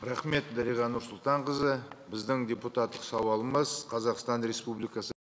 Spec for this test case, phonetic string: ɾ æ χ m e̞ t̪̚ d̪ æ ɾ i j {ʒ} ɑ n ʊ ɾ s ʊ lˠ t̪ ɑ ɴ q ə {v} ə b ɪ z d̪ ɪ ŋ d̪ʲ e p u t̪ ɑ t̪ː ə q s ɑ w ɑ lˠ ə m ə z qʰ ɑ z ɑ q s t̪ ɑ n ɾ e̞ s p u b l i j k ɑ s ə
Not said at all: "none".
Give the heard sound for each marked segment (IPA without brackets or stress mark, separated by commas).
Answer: ʁ, z